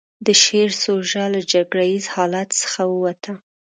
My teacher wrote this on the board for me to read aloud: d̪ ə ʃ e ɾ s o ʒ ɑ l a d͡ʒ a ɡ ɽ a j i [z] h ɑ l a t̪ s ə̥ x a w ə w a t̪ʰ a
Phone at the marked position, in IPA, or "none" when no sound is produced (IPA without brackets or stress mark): z